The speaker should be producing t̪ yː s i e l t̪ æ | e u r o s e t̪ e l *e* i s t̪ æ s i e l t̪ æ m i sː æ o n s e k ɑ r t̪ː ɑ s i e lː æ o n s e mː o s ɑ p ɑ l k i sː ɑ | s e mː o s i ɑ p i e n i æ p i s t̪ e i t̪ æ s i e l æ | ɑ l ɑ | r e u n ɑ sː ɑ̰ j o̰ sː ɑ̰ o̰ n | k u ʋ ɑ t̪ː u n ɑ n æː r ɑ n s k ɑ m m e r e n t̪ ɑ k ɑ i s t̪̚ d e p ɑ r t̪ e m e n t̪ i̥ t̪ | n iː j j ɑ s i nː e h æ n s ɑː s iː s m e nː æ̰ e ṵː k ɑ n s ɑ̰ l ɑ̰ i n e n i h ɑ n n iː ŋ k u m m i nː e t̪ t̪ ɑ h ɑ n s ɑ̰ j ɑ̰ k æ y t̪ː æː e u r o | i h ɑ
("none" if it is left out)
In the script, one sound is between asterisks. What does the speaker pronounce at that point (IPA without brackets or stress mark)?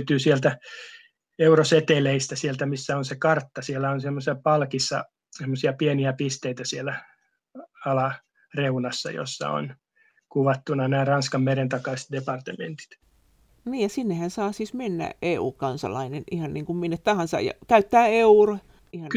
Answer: e